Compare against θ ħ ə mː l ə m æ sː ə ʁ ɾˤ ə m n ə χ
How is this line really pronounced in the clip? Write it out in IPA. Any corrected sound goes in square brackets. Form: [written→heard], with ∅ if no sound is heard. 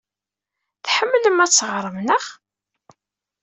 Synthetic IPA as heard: θ ħ ə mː l ə m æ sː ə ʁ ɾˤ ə m n ə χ